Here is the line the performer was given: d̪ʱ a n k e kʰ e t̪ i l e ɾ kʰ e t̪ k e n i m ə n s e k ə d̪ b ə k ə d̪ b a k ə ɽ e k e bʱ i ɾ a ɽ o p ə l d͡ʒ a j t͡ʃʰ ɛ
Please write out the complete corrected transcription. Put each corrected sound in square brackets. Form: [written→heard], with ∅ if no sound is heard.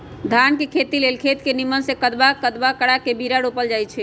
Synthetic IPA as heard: d̪ʱ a n k e kʰ e t̪ i l e [ɾ→l] kʰ e t̪ k e n i m ə n s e k ə d̪ b [ə→a] k ə d̪ b a k ə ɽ [e→a] k e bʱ i ɾ a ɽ o p ə l d͡ʒ a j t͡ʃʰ ɛ